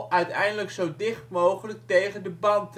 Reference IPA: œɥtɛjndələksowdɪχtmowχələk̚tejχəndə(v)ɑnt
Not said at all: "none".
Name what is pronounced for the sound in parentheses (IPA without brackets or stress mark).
b